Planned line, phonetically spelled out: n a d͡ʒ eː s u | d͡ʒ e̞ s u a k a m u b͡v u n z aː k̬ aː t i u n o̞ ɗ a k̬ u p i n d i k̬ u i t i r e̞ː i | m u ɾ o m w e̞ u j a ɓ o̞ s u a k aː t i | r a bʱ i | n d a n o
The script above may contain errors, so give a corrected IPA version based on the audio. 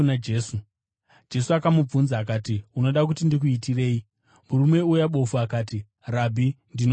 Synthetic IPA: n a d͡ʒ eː s u | d͡ʒ e̞ s u a k a m u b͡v u n z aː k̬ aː t i u n o̞ ɗ a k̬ u t i n d i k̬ u i t i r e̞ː i | m u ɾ u m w e̞ u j a ɓ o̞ f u a k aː t i | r a bʱ i | n d i n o